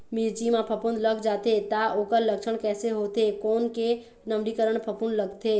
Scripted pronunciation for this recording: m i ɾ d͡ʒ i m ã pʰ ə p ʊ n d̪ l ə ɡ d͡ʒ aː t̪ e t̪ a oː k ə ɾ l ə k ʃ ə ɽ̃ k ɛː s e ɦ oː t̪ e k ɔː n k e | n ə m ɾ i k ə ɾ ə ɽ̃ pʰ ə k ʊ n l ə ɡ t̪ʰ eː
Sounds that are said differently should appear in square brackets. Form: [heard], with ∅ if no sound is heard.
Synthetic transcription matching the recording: m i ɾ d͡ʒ i m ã pʰ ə p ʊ n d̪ l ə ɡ d͡ʒ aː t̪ e t̪ a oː k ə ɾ l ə k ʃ ə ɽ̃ k ɛː s e ɦ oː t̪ e k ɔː n k e | n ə m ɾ i k ə ɾ ə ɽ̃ pʰ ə [p] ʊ n l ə ɡ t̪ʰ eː